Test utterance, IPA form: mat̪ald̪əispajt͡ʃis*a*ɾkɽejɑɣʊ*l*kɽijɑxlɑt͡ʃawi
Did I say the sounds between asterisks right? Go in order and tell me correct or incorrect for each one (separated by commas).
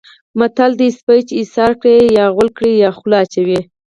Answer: incorrect, correct